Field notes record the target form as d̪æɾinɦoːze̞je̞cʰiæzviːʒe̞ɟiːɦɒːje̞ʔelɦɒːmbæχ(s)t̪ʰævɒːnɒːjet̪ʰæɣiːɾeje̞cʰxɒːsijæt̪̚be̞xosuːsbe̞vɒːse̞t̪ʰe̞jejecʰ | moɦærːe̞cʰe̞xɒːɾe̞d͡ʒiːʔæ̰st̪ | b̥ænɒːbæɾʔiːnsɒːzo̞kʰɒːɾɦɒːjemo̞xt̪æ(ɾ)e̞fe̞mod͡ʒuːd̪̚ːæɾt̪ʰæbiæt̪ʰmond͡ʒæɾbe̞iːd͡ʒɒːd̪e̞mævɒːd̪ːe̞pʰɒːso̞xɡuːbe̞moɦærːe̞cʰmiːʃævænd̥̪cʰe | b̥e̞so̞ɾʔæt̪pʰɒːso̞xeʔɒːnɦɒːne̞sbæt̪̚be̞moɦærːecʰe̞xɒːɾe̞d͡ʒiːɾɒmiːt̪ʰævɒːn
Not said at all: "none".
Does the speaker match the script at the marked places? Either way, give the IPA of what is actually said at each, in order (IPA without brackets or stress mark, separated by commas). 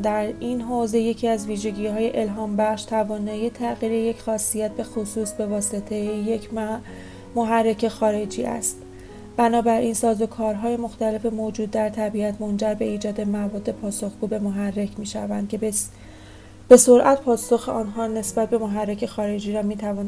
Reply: ʃ, l